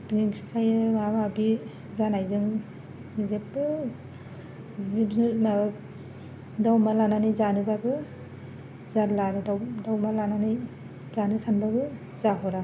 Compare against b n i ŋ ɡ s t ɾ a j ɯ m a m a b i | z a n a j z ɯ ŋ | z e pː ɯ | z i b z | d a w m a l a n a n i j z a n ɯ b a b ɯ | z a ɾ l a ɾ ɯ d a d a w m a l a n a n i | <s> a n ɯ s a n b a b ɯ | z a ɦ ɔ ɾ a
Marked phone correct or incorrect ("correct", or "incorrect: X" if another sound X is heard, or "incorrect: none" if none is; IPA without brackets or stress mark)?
incorrect: z